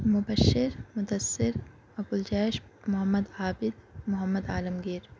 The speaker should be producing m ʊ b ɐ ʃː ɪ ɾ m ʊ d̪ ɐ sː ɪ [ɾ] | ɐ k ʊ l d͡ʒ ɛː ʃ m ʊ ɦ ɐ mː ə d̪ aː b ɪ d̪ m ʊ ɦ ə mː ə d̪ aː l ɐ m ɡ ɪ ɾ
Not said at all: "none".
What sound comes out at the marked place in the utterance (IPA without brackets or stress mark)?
ɾ